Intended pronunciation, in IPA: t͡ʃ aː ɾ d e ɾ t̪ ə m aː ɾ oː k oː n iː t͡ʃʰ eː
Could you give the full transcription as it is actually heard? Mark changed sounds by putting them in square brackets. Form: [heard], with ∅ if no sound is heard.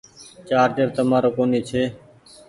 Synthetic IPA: t͡ʃ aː ɾ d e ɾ t̪ ə m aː ɾ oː k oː n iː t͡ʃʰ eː